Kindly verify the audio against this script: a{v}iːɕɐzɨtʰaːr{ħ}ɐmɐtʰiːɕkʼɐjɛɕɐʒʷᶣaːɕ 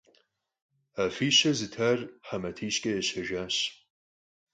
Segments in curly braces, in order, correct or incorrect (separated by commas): incorrect, correct